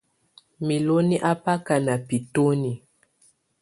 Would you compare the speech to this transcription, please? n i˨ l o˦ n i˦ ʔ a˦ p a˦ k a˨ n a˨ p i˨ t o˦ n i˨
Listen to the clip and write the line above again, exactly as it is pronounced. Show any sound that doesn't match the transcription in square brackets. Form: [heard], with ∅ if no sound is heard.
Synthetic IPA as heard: [m] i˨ l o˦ n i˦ ʔ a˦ p a˦ k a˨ n a˨ p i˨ t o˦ n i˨